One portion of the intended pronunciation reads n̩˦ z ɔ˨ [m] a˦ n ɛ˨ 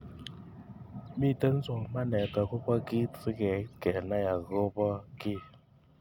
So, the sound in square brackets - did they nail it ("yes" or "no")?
yes